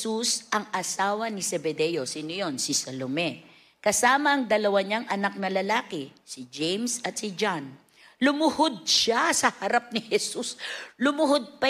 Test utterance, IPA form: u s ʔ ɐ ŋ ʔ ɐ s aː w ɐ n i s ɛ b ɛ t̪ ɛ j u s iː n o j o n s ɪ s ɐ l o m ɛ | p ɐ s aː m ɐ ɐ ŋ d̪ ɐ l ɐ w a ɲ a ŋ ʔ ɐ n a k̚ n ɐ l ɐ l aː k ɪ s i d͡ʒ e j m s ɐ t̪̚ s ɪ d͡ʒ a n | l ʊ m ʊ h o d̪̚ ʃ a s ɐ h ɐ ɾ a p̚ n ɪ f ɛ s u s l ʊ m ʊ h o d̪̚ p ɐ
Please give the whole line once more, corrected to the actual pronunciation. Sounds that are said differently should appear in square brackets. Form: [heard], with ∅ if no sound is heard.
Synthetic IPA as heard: u s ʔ ɐ ŋ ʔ ɐ s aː w ɐ n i s ɛ b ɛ [d̪] ɛ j [o] s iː n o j o n s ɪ s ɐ l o m ɛ | [k] ɐ s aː m ɐ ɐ ŋ d̪ ɐ l ɐ w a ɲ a ŋ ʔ ɐ n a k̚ n ɐ l ɐ l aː k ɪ s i d͡ʒ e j m s ɐ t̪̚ s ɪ d͡ʒ a n | l ʊ m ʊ h o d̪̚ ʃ a s ɐ h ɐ ɾ a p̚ n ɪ [h] ɛ s u s l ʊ m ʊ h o d̪̚ p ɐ